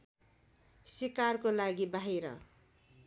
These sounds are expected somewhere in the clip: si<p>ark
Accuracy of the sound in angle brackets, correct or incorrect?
incorrect